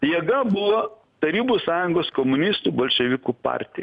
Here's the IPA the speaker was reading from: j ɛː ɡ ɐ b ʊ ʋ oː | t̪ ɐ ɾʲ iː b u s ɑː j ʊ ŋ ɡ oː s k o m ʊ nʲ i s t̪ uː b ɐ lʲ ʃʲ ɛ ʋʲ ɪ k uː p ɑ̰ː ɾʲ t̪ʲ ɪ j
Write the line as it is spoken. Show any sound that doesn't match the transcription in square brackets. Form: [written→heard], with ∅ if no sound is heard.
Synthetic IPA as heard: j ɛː ɡ ɐ b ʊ ʋ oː | t̪ ɐ ɾʲ iː b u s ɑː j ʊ ŋ ɡ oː s k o m ʊ nʲ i s t̪ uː b ɐ lʲ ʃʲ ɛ ʋʲ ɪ k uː p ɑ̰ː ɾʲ t̪ʲ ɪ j